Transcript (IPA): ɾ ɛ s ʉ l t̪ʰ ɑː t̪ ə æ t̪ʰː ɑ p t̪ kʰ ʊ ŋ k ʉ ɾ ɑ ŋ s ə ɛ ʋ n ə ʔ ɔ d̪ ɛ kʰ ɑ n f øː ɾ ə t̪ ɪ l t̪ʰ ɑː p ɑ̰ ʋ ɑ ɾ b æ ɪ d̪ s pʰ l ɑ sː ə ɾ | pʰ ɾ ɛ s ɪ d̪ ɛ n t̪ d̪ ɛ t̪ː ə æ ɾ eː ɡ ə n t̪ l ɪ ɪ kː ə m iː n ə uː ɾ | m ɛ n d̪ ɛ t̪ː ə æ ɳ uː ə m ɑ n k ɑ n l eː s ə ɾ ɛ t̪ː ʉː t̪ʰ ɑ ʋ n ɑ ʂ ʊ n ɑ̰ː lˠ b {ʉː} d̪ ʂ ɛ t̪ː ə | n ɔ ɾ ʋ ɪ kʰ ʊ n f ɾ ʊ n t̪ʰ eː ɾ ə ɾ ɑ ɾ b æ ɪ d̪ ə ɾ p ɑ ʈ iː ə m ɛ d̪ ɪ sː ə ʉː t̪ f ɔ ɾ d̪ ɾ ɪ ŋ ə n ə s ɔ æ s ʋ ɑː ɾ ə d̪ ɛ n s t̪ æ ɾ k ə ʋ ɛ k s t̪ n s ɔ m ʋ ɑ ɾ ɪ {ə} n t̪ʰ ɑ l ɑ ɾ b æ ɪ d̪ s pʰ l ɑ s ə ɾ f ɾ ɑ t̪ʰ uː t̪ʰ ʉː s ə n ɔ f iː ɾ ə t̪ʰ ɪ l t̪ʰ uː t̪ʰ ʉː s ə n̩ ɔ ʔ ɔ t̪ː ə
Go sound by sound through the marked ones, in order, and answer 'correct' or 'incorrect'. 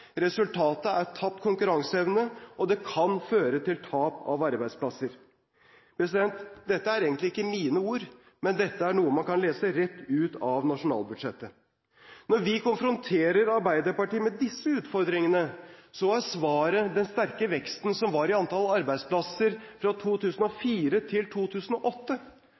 incorrect, incorrect

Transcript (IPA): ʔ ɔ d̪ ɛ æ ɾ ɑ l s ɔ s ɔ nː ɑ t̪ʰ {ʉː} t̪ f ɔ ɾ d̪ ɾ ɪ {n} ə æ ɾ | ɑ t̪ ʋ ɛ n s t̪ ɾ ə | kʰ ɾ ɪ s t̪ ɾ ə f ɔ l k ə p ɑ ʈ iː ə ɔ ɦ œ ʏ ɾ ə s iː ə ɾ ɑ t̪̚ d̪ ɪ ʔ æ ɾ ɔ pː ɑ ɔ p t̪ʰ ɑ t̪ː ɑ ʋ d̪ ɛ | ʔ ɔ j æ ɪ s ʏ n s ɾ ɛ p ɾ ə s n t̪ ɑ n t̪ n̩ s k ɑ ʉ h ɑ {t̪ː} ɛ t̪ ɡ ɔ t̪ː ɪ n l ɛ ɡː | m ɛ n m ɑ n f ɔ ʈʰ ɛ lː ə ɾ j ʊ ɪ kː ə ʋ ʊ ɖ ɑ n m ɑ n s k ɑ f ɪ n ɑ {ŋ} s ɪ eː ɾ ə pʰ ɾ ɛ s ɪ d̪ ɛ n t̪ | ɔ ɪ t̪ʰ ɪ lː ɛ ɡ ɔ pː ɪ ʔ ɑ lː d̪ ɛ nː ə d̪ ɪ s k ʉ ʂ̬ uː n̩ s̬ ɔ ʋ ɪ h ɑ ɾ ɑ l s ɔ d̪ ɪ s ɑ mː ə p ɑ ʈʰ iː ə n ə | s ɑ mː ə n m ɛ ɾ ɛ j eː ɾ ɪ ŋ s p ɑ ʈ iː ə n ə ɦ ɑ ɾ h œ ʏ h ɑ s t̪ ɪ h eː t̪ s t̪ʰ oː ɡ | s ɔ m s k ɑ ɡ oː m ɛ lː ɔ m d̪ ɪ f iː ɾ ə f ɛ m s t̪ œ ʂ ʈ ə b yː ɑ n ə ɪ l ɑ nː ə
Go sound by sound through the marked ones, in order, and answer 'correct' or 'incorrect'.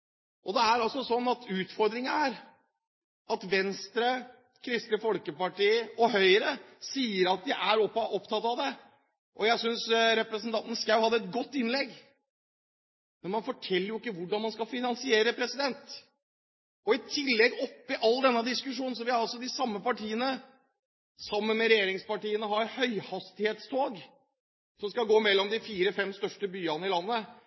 correct, incorrect, incorrect, incorrect

